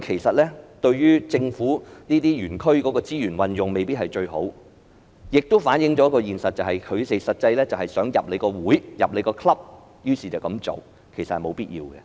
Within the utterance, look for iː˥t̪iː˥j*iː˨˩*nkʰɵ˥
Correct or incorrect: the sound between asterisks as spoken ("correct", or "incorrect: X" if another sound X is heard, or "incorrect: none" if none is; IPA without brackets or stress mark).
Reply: incorrect: yː˨˩